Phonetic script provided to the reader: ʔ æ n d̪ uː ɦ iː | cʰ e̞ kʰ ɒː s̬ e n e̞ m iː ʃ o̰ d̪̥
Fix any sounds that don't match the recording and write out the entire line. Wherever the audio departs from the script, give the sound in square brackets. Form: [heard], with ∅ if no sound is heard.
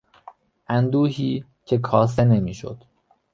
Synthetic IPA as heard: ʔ æ n d̪ uː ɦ iː | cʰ e̞ kʰ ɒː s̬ e n e̞ m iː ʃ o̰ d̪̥